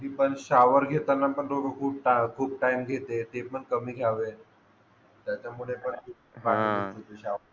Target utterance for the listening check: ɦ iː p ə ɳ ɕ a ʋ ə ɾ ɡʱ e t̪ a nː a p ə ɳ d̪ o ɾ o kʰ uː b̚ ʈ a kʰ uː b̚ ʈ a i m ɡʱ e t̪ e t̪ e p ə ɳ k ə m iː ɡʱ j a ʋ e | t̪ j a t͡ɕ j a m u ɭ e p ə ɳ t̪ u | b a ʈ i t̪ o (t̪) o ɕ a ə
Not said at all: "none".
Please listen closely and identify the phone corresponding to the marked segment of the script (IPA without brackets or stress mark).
t̪